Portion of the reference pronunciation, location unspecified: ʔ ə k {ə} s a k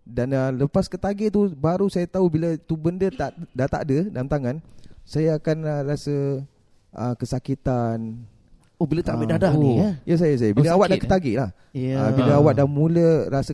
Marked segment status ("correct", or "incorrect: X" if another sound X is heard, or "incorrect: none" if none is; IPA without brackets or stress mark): correct